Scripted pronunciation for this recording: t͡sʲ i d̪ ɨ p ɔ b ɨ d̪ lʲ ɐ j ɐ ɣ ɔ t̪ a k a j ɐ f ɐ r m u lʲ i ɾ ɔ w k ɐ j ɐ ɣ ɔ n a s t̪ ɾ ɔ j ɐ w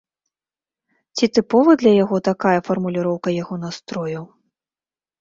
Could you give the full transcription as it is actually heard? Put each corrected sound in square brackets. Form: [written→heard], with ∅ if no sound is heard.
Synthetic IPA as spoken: t͡sʲ i [d̪→t̪] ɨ p ɔ [b→v] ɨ d̪ lʲ ɐ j [ɐ→a] ɣ ɔ t̪ a k a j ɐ f ɐ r m u lʲ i ɾ ɔ w k ɐ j [ɐ→a] ɣ ɔ n a s t̪ ɾ ɔ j ɐ w